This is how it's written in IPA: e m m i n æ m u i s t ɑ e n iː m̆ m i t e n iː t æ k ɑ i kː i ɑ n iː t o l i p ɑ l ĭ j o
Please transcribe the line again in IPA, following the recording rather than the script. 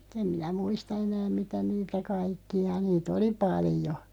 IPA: e m m i n æ m u i s t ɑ e n æː m̆ m i t æ n iː t æ k ɑ i kː i ɑ n iː t o l i p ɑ l ĭ j o